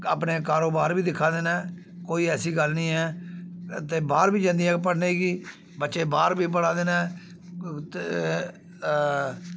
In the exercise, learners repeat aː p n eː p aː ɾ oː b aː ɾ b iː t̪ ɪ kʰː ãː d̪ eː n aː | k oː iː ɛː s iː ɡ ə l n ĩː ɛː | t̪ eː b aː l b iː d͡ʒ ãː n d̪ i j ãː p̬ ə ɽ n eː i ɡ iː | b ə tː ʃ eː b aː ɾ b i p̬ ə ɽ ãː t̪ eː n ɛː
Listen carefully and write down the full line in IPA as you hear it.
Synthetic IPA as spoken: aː p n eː k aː ɾ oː b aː ɾ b iː d̪ ɪ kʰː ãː d̪ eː n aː | k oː iː ɛː s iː ɡ ə l n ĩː ɛː | t̪ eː b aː ɾ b iː d͡ʒ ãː n d̪ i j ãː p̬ ə ɽ n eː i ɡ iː | b ə tː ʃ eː b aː ɾ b iː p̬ ə ɽ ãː d̪ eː n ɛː